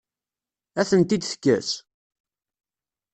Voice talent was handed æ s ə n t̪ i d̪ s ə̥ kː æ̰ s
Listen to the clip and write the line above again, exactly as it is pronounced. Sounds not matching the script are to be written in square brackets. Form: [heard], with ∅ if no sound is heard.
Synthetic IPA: æ [θ] ə n t̪ i d̪ [θ] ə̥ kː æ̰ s

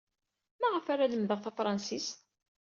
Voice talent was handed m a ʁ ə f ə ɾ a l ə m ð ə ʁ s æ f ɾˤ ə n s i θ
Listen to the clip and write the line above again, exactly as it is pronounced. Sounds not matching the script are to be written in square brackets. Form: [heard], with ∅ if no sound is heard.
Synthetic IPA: m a ʁ ə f [a] ɾ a l ə m ð ə ʁ [θ] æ f ɾˤ [ɑ] n s i [s]

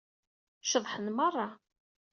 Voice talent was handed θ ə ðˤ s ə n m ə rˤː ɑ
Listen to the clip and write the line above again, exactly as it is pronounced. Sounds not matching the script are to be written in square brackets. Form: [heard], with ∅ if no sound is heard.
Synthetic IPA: [ʃ] ə ðˤ [ħ] ə n m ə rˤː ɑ

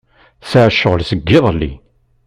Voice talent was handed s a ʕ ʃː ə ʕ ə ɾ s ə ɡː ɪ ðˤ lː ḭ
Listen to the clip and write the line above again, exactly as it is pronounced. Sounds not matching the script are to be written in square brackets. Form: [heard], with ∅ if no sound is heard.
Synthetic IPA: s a ʕ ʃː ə [ʁ] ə [l] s ə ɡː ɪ ðˤ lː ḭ

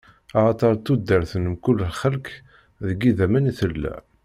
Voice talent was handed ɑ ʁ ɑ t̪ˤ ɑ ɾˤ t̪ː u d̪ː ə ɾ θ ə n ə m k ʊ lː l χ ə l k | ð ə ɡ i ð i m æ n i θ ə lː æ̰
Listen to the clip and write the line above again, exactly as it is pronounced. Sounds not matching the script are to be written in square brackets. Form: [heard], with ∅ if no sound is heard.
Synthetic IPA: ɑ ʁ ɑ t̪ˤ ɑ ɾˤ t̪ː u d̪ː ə ɾ θ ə n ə m k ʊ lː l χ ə l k | ð ə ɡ i ð [æ] m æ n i θ ə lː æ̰

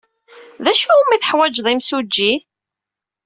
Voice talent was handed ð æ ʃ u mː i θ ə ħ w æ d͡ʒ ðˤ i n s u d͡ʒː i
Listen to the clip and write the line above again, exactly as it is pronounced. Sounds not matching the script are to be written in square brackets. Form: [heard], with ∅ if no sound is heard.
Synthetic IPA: ð æ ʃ u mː i θ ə ħ w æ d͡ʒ ðˤ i [m] s u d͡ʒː i

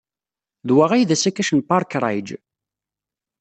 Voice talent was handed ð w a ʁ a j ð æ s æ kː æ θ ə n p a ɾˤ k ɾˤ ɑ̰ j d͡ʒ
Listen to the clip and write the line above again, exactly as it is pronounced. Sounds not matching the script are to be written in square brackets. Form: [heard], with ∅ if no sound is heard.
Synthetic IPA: ð w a ʁ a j ð æ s æ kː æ [ʃ] ə n p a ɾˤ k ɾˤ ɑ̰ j d͡ʒ

